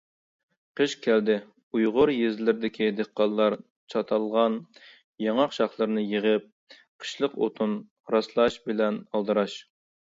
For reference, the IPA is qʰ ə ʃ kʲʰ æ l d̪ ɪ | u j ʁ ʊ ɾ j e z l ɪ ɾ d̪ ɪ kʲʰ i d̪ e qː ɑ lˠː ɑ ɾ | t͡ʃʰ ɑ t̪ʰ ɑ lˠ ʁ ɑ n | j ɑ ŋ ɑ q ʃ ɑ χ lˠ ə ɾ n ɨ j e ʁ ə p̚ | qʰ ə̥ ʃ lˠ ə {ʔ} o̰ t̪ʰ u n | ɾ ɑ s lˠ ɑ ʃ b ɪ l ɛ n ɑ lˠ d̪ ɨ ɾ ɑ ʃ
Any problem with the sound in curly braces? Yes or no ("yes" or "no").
yes